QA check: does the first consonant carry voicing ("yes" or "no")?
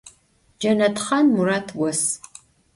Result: yes